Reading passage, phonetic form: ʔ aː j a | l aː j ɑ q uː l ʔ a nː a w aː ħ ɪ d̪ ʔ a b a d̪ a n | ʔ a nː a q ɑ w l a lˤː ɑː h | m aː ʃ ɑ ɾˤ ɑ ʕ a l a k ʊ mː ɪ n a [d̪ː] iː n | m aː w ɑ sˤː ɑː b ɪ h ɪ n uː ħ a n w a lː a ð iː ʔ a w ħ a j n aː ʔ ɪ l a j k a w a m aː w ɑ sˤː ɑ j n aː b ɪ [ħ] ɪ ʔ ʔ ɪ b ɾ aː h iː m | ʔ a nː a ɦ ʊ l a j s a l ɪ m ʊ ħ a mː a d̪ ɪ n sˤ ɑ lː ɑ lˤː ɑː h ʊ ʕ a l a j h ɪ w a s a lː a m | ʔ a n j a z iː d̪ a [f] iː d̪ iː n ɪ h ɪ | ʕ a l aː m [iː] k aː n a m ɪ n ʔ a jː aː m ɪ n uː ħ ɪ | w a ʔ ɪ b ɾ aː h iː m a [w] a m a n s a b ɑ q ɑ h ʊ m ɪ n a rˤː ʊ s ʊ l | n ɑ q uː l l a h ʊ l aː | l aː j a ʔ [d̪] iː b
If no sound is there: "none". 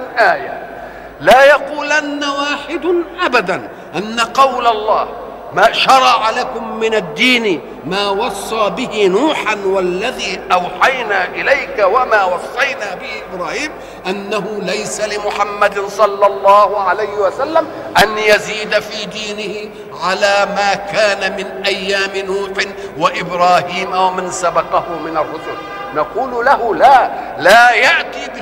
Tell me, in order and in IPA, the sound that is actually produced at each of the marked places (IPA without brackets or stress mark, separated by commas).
d̪ː, h, f, aː, w, t̪